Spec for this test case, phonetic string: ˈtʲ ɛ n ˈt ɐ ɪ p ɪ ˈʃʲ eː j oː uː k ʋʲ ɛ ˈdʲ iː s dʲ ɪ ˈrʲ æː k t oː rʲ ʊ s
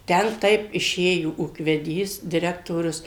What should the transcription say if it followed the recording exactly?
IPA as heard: ˈtʲ ɛ n ˈt ɐ ɪ p ɪ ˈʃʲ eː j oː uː k ʋʲ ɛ ˈdʲ iː s dʲ ɪ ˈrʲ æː k t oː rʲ ʊ s